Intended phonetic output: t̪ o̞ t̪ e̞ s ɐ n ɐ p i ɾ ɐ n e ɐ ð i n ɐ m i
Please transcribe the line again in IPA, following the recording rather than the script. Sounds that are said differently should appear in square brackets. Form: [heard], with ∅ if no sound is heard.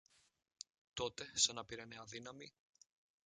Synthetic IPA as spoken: t̪ o̞ t̪ e̞ s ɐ n ɐ p i ɾ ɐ n e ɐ ð i n ɐ m i